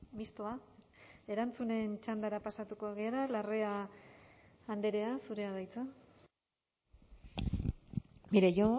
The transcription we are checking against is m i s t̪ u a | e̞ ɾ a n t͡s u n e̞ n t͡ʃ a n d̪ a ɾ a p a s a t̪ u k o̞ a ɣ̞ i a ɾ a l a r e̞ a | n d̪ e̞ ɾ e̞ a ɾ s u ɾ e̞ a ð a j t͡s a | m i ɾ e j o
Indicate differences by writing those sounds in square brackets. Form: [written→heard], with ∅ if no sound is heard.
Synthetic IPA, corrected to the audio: m i s t̪ [u→o] a | e̞ ɾ a n t͡s u n e̞ n t͡ʃ a n d̪ a ɾ a p a s a t̪ u k o̞ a ɣ̞ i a ɾ a l a r e̞ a | n d̪ e̞ ɾ e̞ a [ɾ→∅] s u ɾ e̞ a ð a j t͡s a | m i ɾ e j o